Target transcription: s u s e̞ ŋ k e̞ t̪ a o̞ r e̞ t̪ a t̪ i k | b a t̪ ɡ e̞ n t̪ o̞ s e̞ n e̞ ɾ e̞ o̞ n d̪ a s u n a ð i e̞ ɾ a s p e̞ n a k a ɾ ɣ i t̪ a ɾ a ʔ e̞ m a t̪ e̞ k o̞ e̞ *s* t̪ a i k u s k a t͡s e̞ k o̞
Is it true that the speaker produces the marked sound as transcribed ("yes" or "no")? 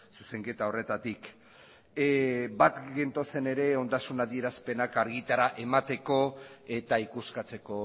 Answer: no